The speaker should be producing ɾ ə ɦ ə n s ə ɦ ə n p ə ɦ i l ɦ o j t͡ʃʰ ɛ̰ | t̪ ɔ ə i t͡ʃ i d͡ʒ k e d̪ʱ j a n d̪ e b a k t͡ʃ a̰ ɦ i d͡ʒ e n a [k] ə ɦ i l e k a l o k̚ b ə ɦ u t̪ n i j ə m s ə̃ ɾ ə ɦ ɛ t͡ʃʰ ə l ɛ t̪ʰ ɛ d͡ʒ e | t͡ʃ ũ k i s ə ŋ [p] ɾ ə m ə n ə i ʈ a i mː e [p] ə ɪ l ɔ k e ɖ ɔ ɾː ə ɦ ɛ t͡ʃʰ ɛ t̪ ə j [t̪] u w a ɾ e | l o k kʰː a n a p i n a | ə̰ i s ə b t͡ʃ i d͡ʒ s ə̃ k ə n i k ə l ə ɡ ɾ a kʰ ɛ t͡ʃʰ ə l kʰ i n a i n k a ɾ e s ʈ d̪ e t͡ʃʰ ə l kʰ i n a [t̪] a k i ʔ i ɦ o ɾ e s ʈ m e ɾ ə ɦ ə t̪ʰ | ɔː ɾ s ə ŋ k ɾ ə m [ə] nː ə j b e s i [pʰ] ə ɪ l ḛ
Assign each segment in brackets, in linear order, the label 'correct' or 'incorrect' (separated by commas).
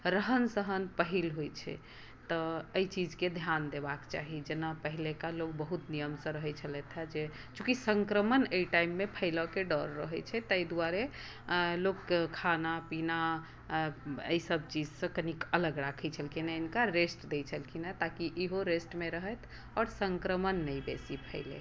incorrect, incorrect, incorrect, incorrect, correct, correct, correct